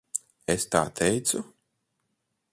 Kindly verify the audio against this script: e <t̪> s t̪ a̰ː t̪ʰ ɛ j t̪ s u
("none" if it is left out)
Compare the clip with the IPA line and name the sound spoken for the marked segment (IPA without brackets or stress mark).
none